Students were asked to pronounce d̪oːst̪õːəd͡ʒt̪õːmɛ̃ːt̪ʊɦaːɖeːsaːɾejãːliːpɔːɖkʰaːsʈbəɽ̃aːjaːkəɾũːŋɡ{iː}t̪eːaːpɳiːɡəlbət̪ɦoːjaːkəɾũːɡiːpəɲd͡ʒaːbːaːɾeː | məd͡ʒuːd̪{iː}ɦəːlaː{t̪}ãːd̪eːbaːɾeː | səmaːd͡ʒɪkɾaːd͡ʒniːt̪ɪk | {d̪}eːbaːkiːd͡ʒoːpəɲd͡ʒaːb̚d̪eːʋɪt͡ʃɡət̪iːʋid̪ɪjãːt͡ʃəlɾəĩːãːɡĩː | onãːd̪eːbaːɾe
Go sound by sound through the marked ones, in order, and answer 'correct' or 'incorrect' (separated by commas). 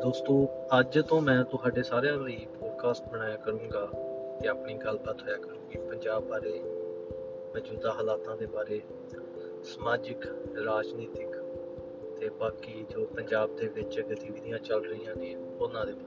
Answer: incorrect, incorrect, correct, incorrect